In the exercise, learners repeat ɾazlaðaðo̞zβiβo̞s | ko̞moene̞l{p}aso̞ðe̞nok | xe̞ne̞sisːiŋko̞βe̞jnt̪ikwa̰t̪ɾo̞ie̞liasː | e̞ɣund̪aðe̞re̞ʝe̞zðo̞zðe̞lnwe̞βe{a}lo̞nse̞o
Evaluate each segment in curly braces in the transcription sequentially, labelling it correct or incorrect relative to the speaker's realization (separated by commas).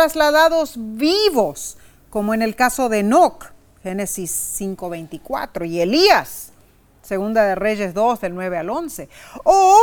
incorrect, correct